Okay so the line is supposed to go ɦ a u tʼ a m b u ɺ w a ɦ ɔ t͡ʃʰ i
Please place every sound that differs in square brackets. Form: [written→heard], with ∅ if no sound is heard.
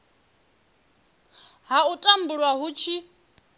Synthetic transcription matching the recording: ɦ a u tʼ a m b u ɺ w a ɦ [ɔ→u] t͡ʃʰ i